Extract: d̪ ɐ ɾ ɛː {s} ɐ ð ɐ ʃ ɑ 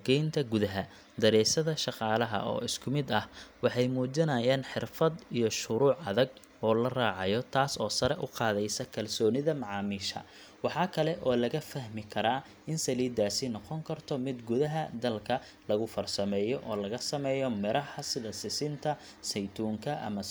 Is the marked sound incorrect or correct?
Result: correct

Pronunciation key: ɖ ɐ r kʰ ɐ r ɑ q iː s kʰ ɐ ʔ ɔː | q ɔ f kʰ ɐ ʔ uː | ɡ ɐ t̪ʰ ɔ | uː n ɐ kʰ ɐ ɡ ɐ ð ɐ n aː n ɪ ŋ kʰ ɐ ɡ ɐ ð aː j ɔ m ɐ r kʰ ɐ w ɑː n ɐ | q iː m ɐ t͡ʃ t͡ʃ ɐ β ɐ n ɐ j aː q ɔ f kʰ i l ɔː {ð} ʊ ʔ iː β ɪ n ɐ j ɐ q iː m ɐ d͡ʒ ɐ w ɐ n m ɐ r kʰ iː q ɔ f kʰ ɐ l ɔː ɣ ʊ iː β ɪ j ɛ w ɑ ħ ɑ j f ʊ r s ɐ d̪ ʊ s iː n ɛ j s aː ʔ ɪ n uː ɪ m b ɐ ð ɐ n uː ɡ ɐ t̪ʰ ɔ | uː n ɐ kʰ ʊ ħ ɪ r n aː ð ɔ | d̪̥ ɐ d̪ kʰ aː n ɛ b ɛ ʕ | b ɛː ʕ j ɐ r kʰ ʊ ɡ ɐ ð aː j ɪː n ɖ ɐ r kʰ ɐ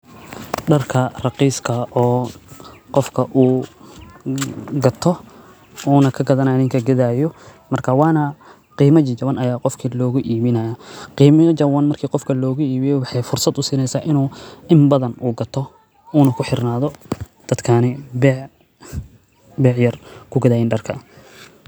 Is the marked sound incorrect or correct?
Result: incorrect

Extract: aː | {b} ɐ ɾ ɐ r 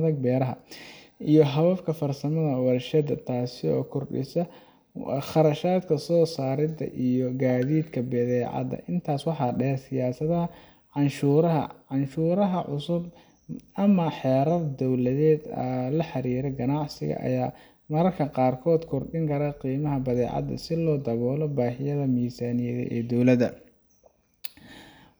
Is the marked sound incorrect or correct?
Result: incorrect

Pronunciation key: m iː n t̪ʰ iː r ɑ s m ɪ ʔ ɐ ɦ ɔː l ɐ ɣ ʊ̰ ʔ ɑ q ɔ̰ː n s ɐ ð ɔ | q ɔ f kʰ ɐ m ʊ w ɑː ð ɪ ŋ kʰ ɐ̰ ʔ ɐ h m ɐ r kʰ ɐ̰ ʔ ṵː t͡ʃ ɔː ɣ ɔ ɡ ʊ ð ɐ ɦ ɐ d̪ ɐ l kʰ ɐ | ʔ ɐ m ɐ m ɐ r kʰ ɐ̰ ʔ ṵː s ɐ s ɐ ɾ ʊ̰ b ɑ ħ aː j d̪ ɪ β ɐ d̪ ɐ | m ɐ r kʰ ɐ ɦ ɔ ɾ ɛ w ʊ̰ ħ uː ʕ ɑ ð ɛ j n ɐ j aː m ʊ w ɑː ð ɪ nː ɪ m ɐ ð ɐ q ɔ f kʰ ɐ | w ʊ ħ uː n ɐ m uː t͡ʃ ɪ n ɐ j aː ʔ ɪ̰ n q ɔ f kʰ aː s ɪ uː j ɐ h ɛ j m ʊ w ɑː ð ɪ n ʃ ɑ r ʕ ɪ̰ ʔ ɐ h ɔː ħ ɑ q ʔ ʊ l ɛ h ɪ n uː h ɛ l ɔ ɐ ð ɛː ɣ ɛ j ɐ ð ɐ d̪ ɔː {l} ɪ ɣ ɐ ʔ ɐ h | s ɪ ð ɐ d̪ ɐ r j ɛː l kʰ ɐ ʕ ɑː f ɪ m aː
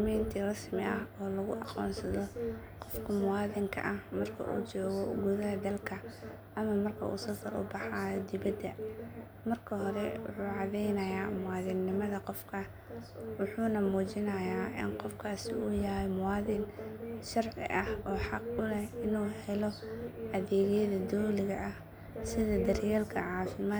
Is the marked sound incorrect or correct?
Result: correct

